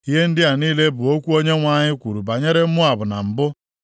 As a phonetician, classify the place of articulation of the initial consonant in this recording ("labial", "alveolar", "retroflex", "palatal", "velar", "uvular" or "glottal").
glottal